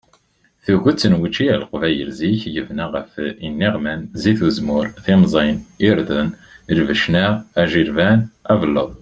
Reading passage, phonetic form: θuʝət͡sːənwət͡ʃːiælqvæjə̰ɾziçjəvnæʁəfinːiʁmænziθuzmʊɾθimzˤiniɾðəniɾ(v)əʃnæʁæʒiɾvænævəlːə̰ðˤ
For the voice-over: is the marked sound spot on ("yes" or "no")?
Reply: yes